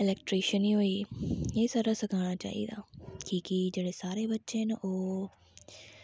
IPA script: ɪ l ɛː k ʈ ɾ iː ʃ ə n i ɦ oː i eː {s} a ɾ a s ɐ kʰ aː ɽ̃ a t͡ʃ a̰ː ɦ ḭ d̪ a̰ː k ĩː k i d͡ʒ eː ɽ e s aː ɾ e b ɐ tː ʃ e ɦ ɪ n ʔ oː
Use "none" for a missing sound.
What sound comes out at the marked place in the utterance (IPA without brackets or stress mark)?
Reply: s